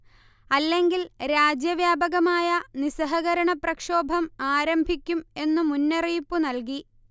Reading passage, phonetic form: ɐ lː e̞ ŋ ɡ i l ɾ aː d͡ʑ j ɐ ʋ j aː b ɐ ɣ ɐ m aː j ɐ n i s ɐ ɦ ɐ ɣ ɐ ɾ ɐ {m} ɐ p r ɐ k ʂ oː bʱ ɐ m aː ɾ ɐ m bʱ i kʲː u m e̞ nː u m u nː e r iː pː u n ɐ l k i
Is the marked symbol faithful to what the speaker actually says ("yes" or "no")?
no